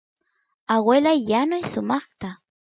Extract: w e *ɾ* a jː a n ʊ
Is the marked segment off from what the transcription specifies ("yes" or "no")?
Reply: yes